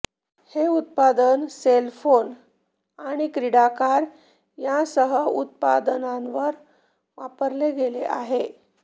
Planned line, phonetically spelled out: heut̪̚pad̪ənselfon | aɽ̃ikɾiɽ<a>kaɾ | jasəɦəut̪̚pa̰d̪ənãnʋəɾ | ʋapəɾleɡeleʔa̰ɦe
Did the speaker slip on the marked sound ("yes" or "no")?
no